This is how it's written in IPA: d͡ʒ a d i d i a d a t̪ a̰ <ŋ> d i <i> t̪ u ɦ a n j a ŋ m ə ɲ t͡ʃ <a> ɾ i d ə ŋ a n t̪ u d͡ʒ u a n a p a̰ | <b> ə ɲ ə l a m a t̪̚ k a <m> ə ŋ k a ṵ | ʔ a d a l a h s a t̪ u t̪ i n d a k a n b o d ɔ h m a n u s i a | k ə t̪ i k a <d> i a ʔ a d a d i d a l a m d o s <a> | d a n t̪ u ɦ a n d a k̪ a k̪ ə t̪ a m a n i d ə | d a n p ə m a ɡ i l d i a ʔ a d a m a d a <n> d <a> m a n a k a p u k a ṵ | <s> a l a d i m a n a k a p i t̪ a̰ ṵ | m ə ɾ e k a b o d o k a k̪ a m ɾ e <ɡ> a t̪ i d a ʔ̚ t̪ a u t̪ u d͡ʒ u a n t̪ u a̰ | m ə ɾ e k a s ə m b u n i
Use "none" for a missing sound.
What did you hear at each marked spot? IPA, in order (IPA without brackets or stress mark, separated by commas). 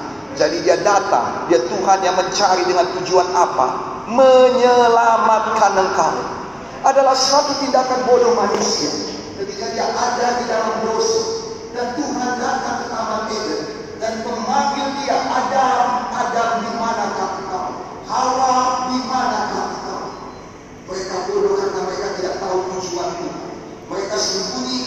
ŋ, a, a, m, n, d, a, m, i, h, k